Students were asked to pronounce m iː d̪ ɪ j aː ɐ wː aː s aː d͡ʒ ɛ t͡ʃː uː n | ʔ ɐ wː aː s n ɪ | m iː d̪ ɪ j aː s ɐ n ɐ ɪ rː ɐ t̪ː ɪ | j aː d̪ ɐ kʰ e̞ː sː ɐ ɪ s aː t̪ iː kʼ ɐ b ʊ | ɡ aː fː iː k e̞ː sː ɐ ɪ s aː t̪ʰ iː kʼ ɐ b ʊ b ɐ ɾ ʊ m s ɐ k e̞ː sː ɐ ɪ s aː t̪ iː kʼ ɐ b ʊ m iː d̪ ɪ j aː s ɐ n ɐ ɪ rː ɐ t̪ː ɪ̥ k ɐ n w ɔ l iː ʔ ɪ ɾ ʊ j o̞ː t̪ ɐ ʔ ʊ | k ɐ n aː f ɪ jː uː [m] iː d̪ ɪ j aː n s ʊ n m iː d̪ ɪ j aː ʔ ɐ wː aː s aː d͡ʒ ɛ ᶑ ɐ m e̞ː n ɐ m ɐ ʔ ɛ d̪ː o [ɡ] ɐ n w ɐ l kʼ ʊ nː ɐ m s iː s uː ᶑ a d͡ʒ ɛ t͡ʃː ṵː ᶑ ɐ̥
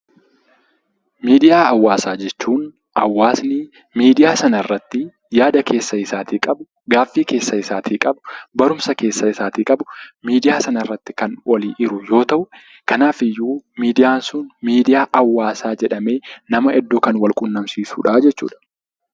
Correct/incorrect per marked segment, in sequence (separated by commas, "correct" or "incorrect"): correct, incorrect